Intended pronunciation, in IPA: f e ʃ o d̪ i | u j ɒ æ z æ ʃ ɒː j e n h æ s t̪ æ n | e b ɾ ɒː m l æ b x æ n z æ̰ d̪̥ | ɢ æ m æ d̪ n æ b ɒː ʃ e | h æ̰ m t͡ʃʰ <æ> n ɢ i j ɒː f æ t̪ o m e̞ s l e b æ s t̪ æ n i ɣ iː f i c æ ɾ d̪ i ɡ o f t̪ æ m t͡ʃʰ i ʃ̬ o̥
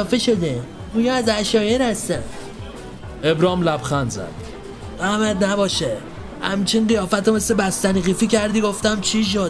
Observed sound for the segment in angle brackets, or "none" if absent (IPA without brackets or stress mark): i